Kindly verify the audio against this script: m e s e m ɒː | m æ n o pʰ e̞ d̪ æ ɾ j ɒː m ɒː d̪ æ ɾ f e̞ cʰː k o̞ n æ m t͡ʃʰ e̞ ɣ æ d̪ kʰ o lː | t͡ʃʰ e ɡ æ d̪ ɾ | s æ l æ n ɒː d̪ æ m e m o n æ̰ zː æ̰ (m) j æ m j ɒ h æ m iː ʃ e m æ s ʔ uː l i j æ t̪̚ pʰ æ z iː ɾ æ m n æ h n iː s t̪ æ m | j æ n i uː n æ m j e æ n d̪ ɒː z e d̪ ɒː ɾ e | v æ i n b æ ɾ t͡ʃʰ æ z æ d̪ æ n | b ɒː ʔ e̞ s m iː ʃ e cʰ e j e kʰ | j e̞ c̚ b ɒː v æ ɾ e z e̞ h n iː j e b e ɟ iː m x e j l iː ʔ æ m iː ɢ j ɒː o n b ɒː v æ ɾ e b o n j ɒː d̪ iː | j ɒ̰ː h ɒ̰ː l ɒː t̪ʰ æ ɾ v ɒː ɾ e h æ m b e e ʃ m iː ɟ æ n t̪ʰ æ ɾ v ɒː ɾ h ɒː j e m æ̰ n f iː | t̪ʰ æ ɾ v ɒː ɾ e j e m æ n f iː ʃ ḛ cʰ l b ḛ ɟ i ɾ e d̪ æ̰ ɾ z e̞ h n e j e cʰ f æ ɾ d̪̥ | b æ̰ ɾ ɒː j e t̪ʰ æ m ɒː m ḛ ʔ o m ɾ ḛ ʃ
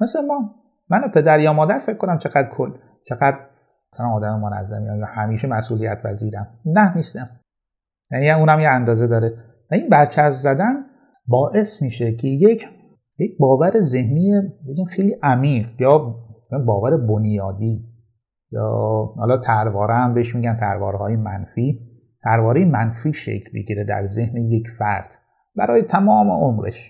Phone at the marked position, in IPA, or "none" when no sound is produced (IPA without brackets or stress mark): m